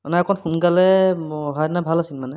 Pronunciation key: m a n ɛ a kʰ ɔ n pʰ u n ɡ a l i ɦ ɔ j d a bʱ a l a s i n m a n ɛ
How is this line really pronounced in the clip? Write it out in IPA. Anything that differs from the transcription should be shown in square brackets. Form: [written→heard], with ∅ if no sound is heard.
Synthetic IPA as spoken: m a n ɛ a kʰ ɔ n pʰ u n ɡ a l [i→ɛ] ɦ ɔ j [d→n] a bʱ a l a s i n m a n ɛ